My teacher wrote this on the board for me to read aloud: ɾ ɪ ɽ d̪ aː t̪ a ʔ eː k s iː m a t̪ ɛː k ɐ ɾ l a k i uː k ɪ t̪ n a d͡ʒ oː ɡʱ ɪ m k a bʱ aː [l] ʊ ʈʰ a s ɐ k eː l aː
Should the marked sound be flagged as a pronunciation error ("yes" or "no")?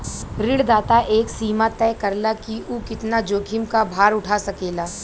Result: yes